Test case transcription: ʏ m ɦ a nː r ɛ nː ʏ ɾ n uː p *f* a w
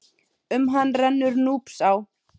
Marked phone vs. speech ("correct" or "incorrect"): incorrect